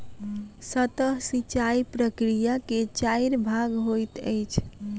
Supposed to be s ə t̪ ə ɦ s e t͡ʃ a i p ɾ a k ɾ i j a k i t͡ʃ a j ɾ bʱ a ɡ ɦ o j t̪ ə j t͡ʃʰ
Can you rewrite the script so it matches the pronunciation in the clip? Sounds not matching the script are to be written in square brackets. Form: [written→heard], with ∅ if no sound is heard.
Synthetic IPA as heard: s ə t̪ ə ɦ s [e→i] t͡ʃ a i p ɾ [a→ə] k ɾ i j a k [i→e] t͡ʃ a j ɾ bʱ a ɡ ɦ o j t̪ ə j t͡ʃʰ